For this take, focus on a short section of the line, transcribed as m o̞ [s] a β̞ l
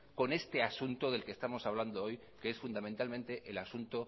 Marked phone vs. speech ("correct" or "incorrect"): correct